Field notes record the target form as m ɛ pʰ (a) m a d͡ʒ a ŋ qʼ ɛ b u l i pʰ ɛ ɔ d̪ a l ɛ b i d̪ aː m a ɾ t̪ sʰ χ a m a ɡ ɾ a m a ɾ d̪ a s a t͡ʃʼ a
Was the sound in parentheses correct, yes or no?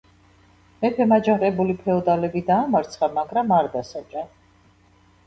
no